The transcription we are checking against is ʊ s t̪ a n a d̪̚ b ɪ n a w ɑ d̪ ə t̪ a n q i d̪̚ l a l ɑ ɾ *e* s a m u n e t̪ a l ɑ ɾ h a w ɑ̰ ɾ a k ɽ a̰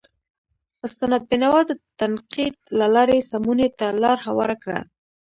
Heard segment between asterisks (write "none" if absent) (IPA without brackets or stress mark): e